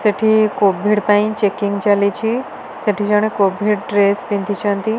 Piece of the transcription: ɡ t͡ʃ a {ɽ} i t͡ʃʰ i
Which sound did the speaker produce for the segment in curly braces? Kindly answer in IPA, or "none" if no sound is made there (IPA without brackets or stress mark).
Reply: l